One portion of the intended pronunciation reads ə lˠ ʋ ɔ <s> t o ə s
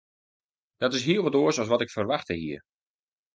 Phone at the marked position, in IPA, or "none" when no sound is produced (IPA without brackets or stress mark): none